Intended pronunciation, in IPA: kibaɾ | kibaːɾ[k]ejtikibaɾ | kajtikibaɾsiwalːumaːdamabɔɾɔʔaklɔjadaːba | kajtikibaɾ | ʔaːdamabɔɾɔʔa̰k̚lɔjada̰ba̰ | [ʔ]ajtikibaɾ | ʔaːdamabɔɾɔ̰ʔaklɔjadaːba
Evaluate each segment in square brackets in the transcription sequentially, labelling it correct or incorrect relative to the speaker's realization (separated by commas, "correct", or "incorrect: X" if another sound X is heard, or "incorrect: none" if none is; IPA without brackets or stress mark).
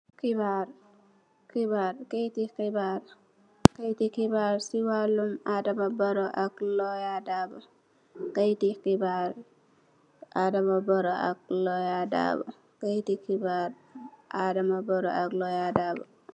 correct, incorrect: k